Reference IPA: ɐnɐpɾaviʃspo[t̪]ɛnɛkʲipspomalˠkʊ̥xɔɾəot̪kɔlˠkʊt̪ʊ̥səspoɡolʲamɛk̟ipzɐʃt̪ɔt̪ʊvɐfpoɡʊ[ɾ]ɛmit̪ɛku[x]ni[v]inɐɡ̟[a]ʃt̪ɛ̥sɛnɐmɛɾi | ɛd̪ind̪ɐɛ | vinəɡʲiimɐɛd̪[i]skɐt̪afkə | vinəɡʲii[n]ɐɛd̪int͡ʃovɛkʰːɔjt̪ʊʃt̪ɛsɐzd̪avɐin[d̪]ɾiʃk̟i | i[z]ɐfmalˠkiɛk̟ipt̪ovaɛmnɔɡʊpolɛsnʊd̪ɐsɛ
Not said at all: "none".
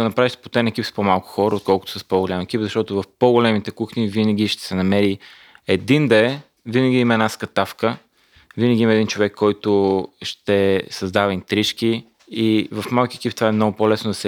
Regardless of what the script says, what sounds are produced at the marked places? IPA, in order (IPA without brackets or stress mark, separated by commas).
t̪, l, x, v, i, a, m, t̪, v